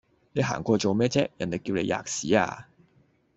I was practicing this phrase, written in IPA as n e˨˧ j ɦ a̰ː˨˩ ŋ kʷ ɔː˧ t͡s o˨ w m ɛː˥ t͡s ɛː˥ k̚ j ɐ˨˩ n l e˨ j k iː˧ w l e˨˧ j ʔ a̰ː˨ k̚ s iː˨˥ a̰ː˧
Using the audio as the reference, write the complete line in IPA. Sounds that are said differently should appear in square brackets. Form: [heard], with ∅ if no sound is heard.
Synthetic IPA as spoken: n e˨˧ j ɦ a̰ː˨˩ ŋ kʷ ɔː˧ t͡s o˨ w m ɛː˥ t͡s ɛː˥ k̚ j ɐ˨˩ n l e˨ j k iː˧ w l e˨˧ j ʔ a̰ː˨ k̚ s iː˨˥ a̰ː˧